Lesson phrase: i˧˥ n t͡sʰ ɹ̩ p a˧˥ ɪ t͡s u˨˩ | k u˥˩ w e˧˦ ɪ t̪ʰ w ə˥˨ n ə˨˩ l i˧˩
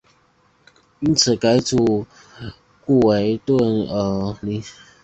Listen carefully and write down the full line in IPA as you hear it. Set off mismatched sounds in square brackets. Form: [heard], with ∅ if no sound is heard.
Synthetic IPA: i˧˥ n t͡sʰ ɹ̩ [k] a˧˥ ɪ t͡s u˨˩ | k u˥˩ w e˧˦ ɪ [t̪] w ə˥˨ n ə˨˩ l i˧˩